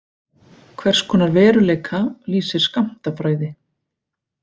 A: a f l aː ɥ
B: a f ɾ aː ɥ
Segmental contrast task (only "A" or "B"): B